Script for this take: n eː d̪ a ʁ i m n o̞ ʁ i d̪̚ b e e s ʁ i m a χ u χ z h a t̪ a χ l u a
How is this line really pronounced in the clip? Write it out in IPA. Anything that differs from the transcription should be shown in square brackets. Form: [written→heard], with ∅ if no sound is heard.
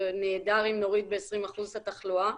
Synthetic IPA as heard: n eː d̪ a ʁ i m n o̞ ʁ i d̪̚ b e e s ʁ i m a χ u [χ→∅] z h a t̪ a χ l u a